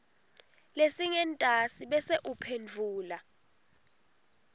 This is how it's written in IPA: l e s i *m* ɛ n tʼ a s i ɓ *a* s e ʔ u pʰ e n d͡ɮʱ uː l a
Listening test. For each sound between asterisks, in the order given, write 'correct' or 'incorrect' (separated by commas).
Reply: incorrect, incorrect